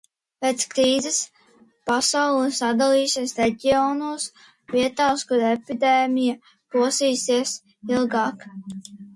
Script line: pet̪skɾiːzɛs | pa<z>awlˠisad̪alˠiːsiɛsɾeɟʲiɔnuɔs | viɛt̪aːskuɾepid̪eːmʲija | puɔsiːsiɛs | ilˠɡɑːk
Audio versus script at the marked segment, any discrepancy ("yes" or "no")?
yes